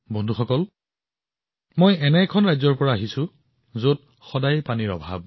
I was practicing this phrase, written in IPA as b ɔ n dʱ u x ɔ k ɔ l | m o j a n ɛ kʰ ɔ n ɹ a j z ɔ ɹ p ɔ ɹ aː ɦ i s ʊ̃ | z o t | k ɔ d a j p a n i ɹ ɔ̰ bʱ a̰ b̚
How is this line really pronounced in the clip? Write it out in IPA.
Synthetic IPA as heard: b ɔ n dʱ u x ɔ k ɔ l | m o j ɛ n ɛ kʰ ɔ n ɹ a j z ɔ ɹ p ɔ ɹ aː ɦ i s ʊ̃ | z o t | x ɔ d a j p a n i ɹ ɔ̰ bʱ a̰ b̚